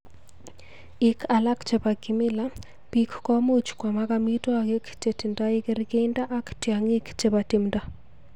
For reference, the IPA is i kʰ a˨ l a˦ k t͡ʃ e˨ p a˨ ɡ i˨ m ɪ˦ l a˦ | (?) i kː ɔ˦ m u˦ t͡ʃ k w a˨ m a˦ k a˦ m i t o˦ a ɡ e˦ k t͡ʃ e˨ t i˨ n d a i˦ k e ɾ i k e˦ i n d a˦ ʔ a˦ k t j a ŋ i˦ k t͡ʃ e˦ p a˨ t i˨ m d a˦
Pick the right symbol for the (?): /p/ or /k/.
p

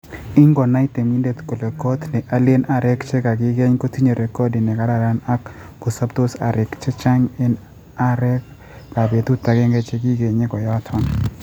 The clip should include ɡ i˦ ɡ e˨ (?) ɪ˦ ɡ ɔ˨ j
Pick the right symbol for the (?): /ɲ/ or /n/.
ɲ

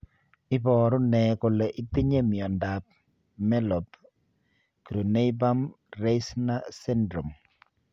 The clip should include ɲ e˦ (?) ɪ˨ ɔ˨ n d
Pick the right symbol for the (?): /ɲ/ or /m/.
m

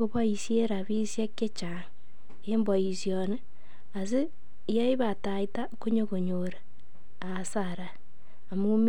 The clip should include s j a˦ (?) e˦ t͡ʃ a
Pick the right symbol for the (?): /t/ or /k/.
k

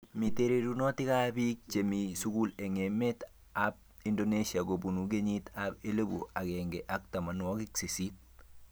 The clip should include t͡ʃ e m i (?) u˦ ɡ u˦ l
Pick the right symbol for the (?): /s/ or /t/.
s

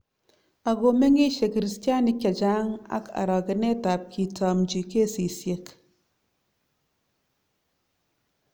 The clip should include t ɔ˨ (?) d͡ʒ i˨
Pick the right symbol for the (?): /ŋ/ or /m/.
m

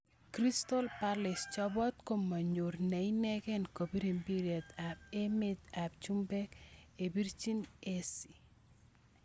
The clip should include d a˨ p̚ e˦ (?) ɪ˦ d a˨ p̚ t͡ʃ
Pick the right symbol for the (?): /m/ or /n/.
m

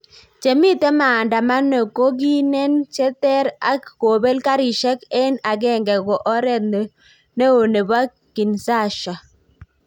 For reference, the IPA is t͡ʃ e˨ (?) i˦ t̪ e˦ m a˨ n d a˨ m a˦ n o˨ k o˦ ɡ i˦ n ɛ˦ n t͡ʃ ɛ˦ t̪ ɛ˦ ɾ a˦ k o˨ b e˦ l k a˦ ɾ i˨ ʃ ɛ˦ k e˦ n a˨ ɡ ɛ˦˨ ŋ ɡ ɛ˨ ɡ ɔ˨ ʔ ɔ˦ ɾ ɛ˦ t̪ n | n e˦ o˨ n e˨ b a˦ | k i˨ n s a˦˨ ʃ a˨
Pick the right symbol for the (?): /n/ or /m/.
m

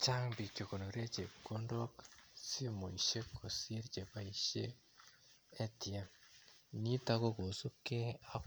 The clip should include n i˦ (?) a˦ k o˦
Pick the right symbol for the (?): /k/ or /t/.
t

